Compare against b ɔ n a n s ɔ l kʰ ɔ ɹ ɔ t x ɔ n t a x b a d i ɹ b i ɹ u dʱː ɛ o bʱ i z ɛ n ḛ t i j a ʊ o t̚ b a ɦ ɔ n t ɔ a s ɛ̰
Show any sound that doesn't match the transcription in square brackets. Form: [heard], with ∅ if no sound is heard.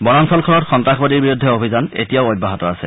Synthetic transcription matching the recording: b ɔ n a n s ɔ l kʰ ɔ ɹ ɔ t x ɔ n t a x b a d i ɹ b i ɹ u dʱː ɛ o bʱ i z [a] n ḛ t i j a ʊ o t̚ b a ɦ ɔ [∅] t ɔ a s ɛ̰